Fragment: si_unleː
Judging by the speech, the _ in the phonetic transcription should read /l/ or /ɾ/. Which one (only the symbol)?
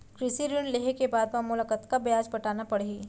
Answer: ɾ